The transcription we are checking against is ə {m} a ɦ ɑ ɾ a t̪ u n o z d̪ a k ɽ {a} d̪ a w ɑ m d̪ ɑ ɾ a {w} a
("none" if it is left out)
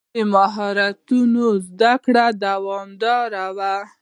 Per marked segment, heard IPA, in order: m, a, w

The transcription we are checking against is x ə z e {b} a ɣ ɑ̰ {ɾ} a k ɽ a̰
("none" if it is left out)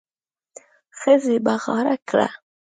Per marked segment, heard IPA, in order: b, ɾ

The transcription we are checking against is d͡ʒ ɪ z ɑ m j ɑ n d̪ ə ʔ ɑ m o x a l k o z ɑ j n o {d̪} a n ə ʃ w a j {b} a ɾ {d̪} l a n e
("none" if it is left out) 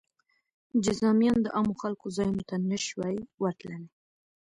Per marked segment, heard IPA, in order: t̪, w, t̪

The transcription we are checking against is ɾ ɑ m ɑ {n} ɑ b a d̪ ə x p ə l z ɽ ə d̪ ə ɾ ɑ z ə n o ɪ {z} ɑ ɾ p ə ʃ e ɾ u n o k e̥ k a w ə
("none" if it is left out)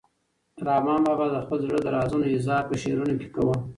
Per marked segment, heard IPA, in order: m, z

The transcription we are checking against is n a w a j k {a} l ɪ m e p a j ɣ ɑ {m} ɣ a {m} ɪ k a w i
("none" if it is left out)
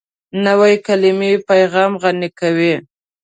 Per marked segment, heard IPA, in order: a, m, n

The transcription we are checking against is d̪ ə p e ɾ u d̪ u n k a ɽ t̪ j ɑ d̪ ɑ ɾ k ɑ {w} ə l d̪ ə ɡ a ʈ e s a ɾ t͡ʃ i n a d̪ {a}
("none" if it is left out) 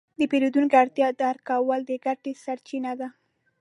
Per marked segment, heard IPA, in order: w, a

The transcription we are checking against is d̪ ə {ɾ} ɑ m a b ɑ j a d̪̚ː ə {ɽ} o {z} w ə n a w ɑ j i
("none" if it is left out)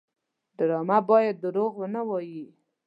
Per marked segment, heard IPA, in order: ɾ, ɾ, ɣ

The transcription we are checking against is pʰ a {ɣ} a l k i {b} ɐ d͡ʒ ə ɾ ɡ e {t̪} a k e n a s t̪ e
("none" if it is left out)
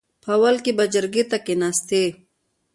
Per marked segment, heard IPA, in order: w, b, t̪

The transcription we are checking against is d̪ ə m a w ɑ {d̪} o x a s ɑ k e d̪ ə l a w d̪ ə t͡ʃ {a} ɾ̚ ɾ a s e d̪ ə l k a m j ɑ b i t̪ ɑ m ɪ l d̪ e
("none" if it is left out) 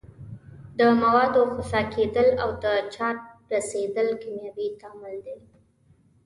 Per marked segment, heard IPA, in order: d̪, ɑ

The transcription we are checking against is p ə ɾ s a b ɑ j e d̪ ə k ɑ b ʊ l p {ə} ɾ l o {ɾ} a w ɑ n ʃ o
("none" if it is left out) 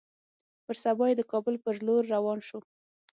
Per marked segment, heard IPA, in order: ə, ɾː

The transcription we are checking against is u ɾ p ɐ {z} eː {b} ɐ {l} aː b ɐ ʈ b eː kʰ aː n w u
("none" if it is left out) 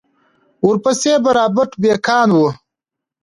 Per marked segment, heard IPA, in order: s, b, ɾ

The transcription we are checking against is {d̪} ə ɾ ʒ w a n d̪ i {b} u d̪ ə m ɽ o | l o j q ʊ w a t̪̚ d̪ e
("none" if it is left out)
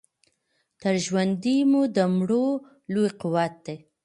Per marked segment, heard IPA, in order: t̪, m

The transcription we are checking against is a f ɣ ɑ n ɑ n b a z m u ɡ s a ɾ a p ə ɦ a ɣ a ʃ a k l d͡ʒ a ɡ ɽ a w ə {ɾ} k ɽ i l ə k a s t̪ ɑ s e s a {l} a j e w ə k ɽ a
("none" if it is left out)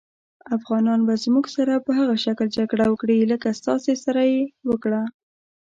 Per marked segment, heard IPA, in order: none, ɾ

